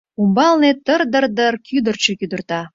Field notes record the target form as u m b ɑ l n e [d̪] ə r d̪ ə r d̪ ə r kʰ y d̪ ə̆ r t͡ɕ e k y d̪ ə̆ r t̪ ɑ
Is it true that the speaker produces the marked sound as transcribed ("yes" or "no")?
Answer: no